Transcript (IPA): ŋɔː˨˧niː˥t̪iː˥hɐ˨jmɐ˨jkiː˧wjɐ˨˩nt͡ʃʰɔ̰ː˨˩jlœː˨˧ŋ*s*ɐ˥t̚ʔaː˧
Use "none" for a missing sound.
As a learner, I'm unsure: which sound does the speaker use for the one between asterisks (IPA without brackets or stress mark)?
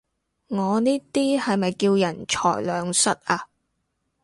s